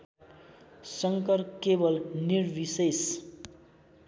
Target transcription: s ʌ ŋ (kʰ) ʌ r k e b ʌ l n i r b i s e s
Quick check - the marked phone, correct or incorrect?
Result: incorrect